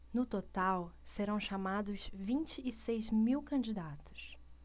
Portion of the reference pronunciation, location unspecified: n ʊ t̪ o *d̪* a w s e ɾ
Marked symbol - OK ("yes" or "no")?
no